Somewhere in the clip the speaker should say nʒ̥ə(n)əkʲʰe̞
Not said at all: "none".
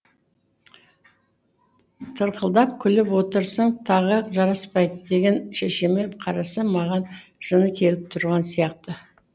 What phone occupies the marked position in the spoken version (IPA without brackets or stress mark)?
n